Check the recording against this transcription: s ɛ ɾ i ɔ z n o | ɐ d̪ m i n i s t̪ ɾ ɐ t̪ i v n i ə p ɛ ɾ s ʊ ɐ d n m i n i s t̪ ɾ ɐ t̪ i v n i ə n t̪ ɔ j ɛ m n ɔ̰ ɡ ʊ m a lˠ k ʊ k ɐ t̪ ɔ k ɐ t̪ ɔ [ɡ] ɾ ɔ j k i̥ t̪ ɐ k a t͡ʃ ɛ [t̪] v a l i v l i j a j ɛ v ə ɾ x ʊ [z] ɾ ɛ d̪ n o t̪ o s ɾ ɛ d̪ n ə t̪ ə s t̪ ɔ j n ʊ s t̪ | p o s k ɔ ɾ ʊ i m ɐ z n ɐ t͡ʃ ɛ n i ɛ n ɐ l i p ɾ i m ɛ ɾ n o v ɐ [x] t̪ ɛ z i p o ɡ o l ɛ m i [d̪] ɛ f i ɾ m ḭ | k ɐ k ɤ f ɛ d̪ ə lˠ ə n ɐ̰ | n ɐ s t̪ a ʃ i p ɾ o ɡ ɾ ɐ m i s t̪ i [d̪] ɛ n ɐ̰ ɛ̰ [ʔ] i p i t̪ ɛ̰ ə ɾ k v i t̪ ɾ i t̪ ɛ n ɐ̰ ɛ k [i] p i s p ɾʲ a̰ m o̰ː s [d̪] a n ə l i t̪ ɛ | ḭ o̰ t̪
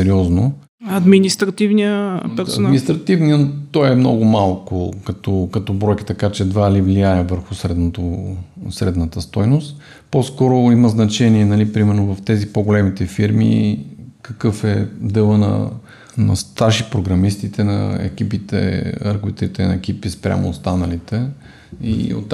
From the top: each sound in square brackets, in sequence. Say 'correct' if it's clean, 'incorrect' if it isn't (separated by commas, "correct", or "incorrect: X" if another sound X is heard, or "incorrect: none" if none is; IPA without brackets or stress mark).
incorrect: b, incorrect: d̪, incorrect: s, incorrect: f, incorrect: t̪, incorrect: t̪, incorrect: k, correct, incorrect: t̪